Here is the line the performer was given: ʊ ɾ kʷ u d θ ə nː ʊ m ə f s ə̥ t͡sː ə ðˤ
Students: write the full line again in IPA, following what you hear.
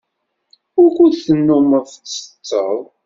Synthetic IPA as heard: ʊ ɾ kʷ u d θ ə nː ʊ m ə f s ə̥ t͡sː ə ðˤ